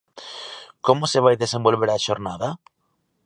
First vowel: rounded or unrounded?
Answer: rounded